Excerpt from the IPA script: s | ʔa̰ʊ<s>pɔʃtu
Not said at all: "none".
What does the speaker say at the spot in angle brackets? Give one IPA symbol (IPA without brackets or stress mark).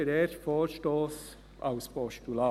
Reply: s